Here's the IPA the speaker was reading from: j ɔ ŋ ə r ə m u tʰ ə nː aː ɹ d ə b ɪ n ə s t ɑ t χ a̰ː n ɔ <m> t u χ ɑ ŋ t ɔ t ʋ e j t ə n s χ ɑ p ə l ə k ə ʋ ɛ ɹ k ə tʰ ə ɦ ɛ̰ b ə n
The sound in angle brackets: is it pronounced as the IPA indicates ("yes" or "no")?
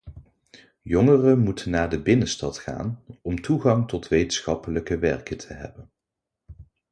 yes